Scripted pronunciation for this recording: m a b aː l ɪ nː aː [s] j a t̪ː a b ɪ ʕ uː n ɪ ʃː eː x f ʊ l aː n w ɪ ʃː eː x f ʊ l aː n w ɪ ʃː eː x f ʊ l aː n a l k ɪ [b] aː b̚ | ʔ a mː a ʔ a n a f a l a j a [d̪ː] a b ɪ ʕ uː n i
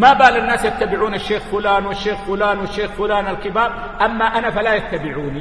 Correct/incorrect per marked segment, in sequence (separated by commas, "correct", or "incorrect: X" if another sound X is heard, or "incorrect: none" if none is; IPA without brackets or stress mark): correct, correct, incorrect: t̪ː